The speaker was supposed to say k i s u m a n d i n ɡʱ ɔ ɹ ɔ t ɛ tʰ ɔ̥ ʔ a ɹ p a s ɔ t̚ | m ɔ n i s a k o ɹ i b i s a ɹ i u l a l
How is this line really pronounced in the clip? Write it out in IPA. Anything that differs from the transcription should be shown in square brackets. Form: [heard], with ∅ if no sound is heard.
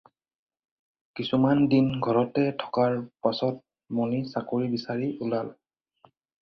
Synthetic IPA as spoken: k i s u m a n d i n ɡʱ ɔ ɹ ɔ t ɛ tʰ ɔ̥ [k] a ɹ p a s ɔ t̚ | m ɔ n i s a k o ɹ i b i s a ɹ i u l a l